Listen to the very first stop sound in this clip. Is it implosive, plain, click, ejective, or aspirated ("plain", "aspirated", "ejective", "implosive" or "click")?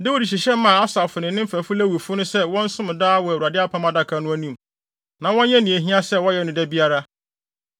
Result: plain